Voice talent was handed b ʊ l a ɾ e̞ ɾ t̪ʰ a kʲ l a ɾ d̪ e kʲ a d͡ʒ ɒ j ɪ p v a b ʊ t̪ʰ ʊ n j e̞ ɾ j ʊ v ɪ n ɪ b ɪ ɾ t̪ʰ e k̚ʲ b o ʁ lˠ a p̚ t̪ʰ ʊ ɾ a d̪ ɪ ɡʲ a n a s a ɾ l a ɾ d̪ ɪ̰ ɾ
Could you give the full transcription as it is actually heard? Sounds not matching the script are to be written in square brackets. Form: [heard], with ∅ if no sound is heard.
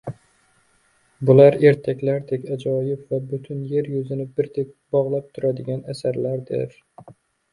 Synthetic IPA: b ʊ l a ɾ e̞ ɾ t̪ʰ a kʲ l a ɾ d̪ e kʲ a d͡ʒ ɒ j ɪ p v a b ʊ t̪ʰ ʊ n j e̞ ɾ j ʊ [z] ɪ n ɪ b ɪ ɾ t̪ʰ e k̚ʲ b [ɒ] ʁ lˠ a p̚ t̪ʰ ʊ ɾ a d̪ ɪ ɡʲ a n a s a ɾ l a ɾ d̪ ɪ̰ ɾ